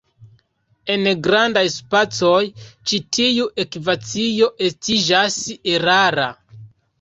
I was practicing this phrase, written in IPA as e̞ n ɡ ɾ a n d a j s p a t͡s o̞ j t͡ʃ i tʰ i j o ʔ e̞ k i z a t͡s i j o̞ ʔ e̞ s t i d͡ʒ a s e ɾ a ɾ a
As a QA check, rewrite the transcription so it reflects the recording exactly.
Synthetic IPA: e̞ n ɡ ɾ a n d a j s p a t͡s o̞ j t͡ʃ i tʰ i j u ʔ e̞ k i v a t͡s i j o̞ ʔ e̞ s t i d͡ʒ a s e ɾ a ɾ a